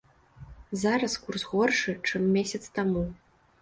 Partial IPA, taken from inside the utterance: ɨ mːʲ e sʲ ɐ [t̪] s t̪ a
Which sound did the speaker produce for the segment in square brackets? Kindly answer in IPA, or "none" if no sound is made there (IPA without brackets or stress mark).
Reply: t̪